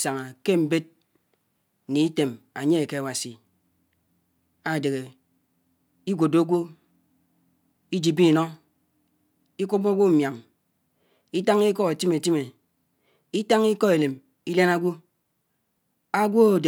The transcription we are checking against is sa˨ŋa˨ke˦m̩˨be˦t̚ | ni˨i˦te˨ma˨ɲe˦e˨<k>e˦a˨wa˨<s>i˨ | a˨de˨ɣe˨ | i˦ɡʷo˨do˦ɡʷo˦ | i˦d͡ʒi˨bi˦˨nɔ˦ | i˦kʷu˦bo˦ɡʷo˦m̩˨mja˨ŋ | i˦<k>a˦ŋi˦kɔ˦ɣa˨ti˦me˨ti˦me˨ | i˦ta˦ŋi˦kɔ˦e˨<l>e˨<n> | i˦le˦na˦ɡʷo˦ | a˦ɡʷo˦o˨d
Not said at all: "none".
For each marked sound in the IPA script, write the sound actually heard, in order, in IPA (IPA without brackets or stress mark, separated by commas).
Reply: k, s, t, l, m